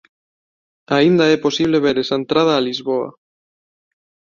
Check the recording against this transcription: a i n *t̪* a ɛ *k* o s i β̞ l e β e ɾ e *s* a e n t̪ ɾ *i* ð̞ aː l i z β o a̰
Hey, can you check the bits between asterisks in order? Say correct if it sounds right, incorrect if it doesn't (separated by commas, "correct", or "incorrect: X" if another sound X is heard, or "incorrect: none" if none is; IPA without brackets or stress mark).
incorrect: d̪, incorrect: p, correct, incorrect: a